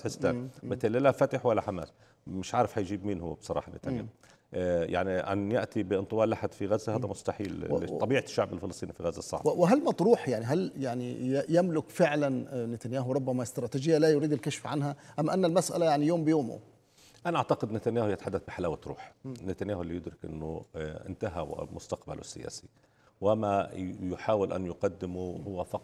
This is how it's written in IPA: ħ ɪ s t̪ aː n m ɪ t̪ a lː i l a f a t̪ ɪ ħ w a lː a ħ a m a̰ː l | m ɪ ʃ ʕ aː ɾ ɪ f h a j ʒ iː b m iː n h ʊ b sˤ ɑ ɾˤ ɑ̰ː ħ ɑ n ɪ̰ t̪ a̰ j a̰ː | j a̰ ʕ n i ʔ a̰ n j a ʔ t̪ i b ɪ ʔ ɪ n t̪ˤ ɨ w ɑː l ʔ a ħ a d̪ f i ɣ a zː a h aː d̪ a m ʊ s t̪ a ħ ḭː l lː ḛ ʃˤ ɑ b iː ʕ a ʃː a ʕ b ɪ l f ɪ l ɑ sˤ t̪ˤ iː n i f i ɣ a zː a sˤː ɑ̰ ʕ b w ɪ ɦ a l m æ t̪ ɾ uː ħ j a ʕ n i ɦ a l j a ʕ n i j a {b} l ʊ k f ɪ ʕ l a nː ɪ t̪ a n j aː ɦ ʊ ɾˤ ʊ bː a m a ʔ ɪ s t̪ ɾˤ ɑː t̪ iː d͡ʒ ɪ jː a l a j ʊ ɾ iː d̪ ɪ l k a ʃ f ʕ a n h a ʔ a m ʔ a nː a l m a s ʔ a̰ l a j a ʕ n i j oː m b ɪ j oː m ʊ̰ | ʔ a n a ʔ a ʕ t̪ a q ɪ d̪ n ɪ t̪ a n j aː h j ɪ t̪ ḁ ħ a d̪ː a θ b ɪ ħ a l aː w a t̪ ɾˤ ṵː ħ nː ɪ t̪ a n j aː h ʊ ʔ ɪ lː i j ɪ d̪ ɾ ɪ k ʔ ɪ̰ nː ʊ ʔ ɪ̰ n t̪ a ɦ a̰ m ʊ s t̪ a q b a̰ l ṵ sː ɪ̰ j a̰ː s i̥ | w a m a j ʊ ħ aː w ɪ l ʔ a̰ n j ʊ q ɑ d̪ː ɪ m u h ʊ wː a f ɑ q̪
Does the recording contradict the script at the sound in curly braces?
yes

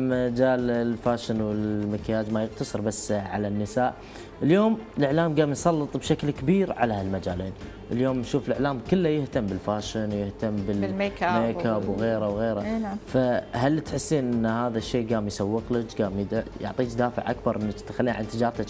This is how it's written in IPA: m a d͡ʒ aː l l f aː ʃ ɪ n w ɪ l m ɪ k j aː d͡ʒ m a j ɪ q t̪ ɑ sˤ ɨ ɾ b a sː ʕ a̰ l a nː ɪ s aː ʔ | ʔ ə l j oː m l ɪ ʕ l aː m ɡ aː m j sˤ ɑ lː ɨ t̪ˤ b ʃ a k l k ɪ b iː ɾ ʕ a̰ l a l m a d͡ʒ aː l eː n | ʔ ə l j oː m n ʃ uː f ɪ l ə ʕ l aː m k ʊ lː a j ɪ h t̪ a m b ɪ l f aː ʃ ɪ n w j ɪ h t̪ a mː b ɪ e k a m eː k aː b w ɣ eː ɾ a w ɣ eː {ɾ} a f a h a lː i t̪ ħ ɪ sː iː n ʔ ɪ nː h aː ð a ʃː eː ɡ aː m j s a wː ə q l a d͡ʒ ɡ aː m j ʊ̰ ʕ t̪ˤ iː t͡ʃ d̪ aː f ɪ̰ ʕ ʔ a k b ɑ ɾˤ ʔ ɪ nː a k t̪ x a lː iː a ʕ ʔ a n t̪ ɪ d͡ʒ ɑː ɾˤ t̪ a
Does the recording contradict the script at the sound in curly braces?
no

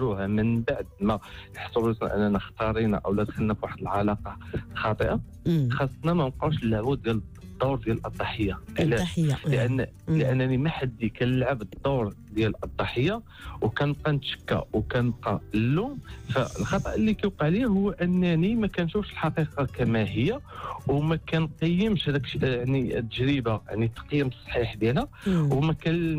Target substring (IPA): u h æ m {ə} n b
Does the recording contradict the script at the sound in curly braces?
no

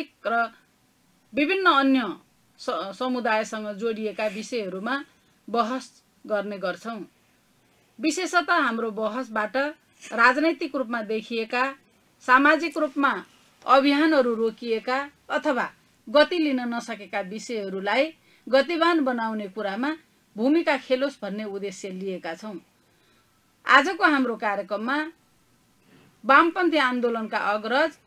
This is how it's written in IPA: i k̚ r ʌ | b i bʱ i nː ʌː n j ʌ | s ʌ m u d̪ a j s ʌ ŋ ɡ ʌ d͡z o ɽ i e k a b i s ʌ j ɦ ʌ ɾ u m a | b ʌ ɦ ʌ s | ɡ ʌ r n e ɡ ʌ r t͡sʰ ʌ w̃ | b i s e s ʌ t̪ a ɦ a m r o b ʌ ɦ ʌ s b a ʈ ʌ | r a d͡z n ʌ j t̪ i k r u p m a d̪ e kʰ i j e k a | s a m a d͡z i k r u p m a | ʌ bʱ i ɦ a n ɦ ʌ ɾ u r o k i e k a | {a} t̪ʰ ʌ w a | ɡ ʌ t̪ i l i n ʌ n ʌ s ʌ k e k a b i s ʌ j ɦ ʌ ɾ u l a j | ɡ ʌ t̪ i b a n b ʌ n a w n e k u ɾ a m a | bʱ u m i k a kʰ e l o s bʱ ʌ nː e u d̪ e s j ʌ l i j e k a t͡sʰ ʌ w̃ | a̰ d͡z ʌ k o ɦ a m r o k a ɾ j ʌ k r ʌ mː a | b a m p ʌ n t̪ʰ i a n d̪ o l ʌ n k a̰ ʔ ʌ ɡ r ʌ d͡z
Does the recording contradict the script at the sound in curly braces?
yes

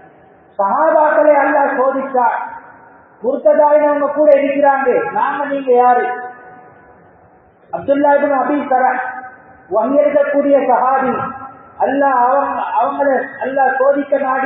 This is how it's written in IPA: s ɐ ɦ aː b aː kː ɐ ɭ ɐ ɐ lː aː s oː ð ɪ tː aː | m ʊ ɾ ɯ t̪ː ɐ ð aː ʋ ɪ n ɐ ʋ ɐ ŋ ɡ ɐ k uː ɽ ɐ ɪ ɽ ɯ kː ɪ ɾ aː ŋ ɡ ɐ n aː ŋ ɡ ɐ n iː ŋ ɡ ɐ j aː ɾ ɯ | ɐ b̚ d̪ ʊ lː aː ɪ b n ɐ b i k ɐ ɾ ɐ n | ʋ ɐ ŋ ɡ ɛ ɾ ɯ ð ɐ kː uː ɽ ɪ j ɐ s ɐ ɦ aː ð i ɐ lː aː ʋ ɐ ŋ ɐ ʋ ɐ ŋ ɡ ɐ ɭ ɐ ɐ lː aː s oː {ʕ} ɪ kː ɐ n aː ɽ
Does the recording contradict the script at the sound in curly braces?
yes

